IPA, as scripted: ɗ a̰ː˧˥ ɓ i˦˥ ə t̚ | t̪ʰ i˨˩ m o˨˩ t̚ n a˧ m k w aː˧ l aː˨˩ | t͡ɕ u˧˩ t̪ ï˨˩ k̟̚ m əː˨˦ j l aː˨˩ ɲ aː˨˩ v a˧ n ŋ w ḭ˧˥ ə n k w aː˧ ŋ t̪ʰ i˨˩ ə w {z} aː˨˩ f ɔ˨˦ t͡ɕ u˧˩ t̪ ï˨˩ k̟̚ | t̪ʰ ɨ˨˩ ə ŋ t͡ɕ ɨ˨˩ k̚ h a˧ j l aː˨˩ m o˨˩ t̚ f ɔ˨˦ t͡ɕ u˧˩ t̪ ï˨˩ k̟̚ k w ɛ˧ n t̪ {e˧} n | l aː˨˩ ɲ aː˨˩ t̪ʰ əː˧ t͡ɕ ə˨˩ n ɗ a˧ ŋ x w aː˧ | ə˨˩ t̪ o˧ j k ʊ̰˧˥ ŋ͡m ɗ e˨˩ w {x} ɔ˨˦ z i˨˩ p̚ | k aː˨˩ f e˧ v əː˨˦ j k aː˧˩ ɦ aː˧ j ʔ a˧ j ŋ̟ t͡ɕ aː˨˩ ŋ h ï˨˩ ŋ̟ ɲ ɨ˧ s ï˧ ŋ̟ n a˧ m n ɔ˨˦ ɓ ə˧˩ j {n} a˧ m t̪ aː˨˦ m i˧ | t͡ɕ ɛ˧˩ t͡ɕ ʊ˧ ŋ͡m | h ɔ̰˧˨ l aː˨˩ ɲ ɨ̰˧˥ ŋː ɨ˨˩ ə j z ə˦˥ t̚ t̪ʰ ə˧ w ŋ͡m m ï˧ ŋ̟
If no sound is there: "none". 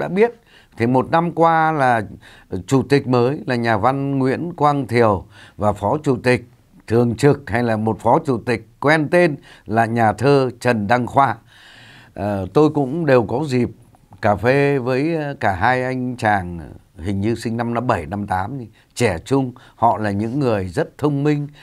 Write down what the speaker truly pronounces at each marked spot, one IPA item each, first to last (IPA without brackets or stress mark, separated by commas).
v, e˧, k, n